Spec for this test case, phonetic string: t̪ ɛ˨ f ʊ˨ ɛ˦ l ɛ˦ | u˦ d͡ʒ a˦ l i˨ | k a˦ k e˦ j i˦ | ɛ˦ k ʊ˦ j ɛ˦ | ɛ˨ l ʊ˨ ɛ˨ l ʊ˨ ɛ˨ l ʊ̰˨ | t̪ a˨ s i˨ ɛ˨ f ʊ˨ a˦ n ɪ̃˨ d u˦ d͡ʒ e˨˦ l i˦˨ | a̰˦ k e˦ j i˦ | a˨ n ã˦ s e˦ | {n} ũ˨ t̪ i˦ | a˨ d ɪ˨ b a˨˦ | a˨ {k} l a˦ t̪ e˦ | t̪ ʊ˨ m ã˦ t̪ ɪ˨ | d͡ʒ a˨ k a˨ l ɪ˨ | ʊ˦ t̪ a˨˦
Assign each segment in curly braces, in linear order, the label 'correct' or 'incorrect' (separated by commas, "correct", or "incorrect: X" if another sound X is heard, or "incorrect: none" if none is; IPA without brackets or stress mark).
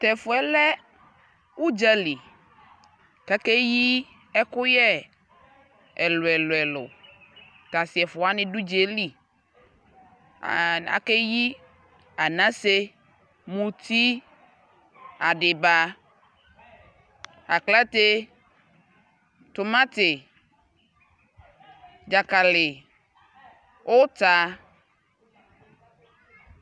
incorrect: m, correct